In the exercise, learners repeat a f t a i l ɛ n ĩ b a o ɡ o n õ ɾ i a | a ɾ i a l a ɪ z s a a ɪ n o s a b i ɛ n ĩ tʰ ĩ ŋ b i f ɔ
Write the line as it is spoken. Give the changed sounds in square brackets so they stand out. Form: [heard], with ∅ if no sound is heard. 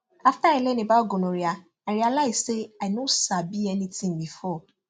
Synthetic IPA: a f t a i l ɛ n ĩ b a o ɡ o n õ ɾ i a | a ɾ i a l a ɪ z s [e] a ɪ n o s a b i ɛ n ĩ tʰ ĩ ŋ b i f ɔ

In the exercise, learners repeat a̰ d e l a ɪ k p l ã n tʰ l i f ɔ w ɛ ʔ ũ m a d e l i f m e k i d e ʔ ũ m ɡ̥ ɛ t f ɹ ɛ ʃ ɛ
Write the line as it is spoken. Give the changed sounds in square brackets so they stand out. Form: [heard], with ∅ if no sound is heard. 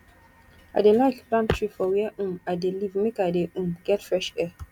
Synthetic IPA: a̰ d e l a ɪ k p l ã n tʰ [ɹ] i f ɔ w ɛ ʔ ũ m a d e l i [v] m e k [a] d e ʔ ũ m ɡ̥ ɛ t f ɹ ɛ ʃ ɛ

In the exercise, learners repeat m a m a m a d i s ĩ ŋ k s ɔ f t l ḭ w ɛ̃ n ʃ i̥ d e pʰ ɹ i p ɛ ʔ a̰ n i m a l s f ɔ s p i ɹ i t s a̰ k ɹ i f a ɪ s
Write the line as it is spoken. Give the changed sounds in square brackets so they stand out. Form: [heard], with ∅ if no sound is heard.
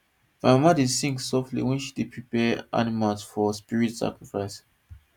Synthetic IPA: m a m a m a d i s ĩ ŋ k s ɔ f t l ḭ w ɛ̃ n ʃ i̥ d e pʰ ɹ i p ɛ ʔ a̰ n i m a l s f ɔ s p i ɹ i t s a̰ k ɹ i f a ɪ s

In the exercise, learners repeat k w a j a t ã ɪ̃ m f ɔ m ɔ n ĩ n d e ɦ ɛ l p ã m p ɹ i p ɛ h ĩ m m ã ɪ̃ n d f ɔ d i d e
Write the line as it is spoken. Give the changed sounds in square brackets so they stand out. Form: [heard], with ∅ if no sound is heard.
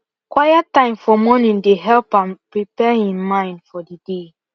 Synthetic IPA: k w a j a t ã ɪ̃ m f ɔ m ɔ n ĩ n d e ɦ ɛ l p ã m p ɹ i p ɛ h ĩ m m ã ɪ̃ n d f ɔ d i d e

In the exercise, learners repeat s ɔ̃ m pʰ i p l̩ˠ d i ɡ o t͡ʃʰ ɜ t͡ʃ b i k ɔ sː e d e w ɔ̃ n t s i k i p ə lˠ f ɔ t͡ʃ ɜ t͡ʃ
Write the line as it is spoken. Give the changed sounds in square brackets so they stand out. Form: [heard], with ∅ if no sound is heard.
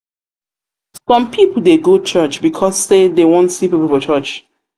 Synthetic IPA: s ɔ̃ m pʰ i p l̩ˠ d [e] ɡ o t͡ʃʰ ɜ t͡ʃ b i [kʰ] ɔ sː e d e w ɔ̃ n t s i [p] i p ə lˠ f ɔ t͡ʃ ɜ t͡ʃ

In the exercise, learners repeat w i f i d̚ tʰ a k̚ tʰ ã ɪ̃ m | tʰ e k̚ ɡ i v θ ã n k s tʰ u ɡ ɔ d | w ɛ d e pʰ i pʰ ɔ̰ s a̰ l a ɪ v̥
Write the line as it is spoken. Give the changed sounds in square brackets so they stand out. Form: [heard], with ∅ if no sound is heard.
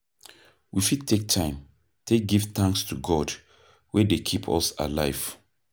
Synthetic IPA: w i f i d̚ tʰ [e] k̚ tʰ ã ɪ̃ m | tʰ e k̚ ɡ i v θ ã [ŋ] k s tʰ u ɡ ɔ d | w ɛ d e [kʰ] i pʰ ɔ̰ s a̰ l a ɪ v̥

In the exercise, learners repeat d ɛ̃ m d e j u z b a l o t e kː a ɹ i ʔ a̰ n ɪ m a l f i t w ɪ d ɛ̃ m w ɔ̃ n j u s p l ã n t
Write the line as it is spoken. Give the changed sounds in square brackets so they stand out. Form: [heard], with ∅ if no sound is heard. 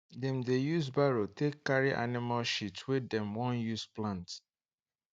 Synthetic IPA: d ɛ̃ m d e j u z b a [ɹ] o t e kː a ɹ i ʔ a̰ n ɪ m a l [ʃ] i t w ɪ d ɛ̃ m w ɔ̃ n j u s p l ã n t

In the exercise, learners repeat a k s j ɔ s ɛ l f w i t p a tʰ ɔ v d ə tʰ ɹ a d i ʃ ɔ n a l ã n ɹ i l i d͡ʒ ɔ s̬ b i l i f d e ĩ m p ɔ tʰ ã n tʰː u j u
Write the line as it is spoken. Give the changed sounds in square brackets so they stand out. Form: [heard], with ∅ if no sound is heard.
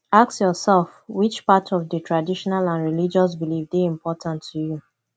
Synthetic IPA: a k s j ɔ s ɛ l f w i [t͡ʃ] p a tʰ ɔ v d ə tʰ ɹ a d i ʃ ɔ n a l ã n ɹ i l i d͡ʒ ɔ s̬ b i l i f d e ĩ m p ɔ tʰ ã n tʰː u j u

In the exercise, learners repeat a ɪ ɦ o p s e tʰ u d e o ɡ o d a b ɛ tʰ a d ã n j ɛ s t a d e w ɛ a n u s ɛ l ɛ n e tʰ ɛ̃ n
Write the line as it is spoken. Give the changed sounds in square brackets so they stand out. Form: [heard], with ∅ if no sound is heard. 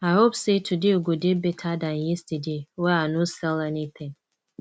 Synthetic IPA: a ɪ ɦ o p s e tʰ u d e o ɡ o d [e] b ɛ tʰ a d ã n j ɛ s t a d e w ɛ a n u s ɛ l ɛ n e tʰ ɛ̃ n

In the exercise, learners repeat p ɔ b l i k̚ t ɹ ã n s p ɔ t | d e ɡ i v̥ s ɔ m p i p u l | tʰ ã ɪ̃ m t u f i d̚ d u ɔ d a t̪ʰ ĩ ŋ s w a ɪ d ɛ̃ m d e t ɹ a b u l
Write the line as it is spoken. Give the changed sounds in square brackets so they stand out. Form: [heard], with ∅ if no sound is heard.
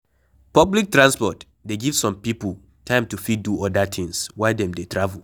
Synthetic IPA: p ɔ b l i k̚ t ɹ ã n s p ɔ t | d e ɡ i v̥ s [ɔ̃] m p i p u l | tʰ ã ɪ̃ m t u f i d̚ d u ɔ d a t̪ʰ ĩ ŋ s w a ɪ d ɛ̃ m d e t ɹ a [v] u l

